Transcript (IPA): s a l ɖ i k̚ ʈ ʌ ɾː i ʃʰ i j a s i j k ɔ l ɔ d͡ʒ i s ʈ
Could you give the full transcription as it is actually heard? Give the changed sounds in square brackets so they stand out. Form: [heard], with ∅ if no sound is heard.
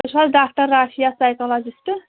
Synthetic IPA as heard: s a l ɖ [a] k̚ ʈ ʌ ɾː [a] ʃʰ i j a s [a] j k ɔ l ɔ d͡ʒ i s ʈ